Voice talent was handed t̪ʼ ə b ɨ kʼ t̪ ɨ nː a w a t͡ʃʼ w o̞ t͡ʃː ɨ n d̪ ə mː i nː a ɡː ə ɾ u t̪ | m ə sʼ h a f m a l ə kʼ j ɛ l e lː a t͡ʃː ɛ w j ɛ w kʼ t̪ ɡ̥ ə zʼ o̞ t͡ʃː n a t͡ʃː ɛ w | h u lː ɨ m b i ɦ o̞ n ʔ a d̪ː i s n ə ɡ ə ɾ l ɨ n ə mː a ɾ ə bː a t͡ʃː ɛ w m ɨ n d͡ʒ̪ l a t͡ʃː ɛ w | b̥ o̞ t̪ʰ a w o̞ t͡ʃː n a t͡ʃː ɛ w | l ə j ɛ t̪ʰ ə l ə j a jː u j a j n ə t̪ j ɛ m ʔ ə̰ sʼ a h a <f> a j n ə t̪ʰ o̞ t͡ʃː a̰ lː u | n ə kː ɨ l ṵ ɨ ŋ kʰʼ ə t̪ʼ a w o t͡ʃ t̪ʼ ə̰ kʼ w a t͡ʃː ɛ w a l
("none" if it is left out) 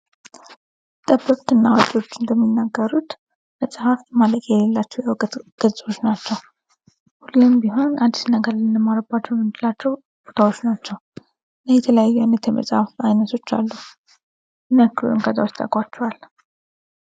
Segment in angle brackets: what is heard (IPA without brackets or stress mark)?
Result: f